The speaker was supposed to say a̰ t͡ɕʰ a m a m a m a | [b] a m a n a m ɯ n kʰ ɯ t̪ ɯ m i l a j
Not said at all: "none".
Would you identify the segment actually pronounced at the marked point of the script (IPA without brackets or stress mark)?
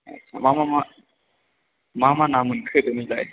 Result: m